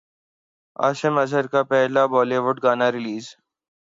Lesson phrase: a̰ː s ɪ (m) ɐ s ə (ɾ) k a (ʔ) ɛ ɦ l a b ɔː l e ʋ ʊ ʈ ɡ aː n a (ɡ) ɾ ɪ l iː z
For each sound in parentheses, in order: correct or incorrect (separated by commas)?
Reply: correct, correct, incorrect, incorrect